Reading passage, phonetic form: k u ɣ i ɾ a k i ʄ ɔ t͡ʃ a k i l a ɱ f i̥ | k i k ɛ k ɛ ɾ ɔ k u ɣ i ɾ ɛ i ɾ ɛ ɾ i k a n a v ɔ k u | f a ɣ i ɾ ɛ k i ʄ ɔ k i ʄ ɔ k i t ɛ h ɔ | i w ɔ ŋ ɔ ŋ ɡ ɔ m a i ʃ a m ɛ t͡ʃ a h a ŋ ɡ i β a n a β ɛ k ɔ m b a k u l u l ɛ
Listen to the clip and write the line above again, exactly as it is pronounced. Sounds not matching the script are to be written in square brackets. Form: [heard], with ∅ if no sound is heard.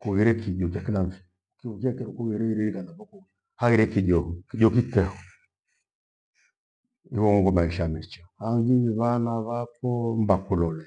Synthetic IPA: k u ɣ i ɾ [ɛ] k i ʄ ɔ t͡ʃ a k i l a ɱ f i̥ | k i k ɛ k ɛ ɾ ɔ k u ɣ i ɾ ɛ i ɾ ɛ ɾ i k a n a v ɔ k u | [h] a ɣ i ɾ ɛ k i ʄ ɔ k i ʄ ɔ k i t ɛ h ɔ | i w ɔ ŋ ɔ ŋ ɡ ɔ m a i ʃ a m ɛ t͡ʃ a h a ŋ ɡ i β a n a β [a] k ɔ m b a k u l [ɔ] l ɛ